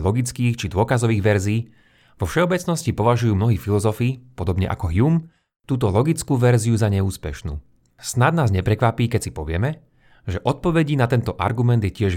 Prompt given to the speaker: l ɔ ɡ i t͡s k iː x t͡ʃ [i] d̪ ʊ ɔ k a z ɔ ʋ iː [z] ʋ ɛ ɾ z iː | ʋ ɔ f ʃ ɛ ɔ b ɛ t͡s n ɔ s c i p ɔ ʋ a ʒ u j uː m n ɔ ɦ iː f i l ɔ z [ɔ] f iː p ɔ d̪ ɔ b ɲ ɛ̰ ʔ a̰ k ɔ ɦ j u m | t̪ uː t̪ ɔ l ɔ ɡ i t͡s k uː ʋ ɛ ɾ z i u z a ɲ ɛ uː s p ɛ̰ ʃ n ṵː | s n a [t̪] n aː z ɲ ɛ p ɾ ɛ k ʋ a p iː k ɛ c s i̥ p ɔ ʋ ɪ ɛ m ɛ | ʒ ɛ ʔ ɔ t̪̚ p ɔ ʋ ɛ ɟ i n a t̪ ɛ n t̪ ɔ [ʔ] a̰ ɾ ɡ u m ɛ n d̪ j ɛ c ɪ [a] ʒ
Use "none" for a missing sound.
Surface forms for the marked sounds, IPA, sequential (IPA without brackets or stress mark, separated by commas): i, ɣ, ɔ, d̪, ʔ, ɛ